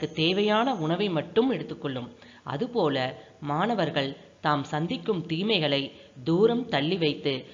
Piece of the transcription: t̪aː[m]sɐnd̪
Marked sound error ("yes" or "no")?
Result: no